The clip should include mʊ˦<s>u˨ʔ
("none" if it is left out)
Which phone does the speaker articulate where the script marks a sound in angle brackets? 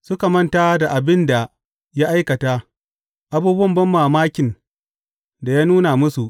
s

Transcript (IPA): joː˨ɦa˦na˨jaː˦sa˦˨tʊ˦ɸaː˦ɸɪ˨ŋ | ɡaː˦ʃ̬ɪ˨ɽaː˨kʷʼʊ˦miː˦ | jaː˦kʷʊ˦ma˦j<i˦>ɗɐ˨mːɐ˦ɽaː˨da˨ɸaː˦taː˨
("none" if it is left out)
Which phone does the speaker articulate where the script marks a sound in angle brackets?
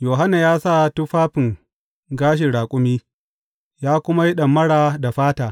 i˦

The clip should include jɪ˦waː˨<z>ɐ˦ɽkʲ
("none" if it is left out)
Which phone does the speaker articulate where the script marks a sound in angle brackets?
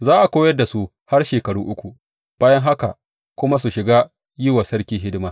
s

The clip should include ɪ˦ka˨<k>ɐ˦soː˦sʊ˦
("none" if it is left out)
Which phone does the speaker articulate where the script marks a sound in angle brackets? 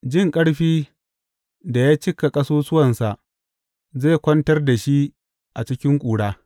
kʼ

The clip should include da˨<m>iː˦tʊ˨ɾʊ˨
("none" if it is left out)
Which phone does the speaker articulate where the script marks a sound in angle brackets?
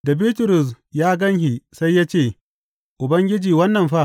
b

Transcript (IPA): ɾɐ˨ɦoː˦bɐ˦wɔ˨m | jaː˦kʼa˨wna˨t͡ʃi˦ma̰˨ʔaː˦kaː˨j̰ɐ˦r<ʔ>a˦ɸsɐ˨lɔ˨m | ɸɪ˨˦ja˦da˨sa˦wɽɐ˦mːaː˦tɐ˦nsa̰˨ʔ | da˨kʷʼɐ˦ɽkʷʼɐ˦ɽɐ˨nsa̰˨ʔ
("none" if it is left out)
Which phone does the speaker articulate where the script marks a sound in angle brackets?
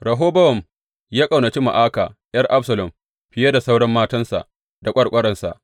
ʔ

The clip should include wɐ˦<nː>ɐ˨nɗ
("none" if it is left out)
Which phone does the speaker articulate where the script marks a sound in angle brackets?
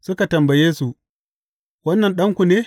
nː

